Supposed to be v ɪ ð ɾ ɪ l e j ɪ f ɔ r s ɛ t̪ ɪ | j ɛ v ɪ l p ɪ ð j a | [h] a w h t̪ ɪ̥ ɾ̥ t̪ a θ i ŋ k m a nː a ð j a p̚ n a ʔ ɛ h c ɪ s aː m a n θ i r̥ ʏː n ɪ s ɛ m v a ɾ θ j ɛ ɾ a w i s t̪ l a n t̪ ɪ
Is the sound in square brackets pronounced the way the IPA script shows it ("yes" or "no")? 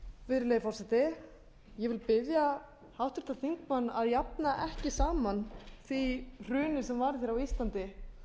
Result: yes